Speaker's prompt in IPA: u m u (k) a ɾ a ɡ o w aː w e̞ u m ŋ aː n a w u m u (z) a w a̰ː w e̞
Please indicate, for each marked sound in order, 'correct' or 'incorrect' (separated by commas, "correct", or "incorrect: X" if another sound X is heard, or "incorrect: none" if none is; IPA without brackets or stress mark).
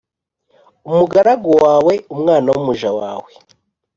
incorrect: ɡ, incorrect: ʒ